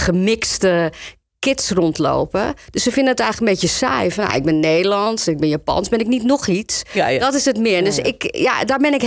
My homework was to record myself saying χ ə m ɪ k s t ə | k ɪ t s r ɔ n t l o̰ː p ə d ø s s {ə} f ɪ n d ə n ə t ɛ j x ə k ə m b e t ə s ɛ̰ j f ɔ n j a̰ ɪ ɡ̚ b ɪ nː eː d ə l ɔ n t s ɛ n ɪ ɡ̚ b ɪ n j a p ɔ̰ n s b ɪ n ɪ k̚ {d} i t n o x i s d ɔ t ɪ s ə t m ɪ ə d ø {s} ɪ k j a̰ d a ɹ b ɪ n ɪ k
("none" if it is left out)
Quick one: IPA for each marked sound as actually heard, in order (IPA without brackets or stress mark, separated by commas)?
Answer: ə, n, s